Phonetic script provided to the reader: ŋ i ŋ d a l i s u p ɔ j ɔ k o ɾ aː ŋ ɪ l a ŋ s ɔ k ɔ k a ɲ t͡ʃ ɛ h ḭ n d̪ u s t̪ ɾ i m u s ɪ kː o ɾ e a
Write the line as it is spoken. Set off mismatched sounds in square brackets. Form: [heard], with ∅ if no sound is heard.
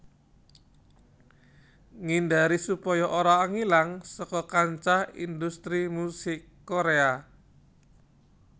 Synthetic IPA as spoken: ŋ i [n] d a [ɾ] i s u p ɔ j ɔ [ʔ] o ɾ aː ŋ [i] l a ŋ s ɔ k ɔ k a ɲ t͡ʃ [a] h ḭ n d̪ u s t̪ ɾ i m u s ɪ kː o ɾ e a